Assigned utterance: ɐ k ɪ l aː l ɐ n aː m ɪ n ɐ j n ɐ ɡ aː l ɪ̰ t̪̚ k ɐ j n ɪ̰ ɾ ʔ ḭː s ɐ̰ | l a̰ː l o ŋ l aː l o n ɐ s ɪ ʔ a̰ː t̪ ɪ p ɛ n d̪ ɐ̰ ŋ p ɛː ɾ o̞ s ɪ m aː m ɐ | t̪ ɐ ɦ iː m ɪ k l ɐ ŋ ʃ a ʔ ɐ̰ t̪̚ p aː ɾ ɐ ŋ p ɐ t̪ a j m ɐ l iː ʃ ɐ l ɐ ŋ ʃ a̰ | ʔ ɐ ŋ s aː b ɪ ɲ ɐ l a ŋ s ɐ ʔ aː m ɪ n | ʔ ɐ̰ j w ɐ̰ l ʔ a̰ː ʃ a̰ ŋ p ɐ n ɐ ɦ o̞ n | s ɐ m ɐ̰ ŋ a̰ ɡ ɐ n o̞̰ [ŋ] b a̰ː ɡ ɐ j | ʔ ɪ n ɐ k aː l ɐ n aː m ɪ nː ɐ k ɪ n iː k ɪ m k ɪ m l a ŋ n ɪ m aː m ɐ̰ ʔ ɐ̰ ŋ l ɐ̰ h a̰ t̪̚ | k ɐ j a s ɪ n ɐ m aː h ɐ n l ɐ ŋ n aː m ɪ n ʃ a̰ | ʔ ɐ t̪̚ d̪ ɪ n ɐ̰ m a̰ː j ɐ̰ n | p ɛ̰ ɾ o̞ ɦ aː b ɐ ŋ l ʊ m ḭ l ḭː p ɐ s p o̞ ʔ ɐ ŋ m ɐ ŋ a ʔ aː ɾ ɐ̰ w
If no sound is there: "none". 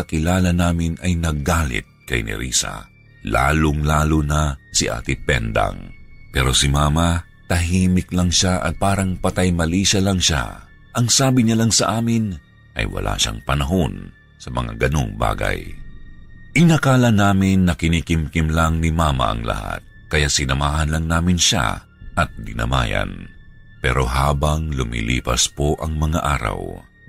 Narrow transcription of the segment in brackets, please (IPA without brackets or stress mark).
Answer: ŋ